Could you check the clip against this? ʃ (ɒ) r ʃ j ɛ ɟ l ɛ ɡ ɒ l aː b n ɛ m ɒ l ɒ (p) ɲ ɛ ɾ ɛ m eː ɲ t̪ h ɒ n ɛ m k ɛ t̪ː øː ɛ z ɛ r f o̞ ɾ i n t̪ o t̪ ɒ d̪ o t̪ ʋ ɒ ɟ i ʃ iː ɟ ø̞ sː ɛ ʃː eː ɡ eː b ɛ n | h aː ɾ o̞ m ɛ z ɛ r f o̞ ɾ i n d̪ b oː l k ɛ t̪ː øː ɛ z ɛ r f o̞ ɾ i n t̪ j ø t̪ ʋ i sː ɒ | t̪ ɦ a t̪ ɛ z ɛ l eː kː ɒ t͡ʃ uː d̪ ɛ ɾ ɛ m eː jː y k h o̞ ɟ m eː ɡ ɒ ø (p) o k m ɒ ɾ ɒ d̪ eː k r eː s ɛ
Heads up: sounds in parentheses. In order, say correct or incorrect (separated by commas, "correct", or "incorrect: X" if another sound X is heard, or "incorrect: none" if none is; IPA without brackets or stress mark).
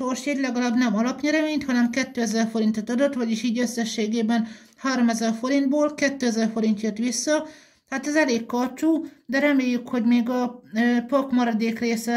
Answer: incorrect: o, correct, correct